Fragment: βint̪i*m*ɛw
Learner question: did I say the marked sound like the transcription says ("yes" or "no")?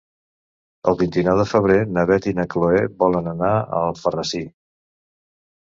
no